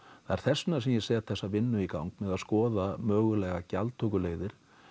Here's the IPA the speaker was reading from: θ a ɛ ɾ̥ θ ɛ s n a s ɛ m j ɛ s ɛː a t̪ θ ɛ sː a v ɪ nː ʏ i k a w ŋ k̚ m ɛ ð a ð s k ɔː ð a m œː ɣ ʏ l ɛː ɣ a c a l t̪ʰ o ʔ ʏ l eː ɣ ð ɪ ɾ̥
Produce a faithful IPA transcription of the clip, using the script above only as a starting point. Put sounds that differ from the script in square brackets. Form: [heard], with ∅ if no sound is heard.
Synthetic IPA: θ a ɛ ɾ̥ θ ɛ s n a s ɛ m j ɛ s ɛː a t̪ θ ɛ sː a v ɪ nː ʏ i k a w ŋ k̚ m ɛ ð a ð s k ɔː ð a m œː ɣ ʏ l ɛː ɣ a c a l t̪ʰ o [k] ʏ l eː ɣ ð ɪ ɾ̥